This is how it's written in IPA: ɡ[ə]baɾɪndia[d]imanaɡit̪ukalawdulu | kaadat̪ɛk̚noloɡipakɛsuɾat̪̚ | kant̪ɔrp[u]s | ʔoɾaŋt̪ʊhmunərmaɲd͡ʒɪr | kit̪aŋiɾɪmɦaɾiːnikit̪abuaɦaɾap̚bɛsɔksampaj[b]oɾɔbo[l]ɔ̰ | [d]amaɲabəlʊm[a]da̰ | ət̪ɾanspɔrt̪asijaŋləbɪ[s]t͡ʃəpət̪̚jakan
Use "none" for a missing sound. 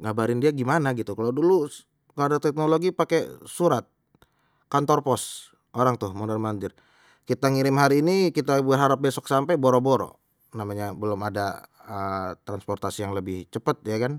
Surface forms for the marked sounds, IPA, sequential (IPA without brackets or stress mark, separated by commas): a, ɡ, ɔ, b, ɾ, n, a, h